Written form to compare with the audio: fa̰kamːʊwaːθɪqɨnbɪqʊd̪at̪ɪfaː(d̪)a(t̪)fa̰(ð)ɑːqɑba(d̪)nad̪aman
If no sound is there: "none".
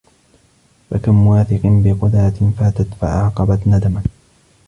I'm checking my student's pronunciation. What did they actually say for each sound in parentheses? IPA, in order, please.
t̪, t̪, ʕ, t̪

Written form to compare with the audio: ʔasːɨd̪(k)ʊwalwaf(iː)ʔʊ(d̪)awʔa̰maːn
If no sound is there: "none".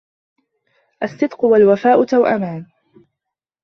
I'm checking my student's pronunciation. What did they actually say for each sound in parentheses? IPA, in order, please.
q, aː, t̪

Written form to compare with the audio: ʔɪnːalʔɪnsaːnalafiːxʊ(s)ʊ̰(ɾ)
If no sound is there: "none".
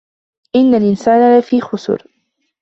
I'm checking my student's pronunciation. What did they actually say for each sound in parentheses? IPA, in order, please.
s, ɾ

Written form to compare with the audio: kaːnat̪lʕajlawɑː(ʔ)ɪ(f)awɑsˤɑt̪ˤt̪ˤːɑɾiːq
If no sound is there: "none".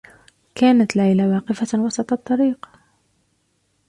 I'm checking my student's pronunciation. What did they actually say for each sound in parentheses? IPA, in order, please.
q, f

